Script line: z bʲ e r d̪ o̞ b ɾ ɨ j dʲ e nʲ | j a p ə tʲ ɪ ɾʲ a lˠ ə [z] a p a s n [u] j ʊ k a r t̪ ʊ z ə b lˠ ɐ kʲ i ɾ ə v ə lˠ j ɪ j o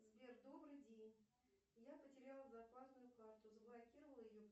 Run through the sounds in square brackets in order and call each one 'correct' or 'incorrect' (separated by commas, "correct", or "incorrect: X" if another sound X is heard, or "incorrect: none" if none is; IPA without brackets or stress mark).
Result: correct, incorrect: ʊ